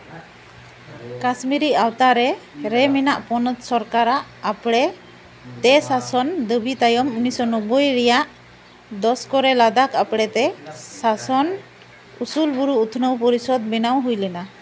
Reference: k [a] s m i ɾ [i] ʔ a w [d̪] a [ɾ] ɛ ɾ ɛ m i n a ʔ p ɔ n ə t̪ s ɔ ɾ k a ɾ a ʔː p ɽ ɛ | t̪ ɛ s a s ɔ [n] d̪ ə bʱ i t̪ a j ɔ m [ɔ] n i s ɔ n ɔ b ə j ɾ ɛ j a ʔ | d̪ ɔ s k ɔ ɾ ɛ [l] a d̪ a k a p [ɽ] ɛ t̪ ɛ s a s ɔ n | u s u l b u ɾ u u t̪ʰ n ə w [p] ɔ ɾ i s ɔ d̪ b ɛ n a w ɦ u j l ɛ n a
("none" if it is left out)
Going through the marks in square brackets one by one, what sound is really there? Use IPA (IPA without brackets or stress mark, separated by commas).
a, i, t̪, ɾ, n, u, l, ɽ, p